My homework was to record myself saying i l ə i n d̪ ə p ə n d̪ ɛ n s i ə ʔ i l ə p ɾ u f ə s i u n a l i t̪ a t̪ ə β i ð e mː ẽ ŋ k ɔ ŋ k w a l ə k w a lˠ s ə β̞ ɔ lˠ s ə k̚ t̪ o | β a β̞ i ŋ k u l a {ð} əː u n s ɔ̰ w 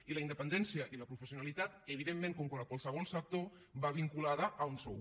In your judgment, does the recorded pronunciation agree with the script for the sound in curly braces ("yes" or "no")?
yes